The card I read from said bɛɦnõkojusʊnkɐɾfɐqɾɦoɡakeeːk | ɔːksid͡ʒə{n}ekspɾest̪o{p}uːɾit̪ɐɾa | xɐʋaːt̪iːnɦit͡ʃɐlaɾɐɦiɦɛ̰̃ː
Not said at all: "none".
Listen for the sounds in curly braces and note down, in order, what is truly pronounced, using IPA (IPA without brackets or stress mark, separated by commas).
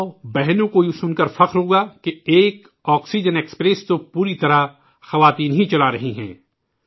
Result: n, p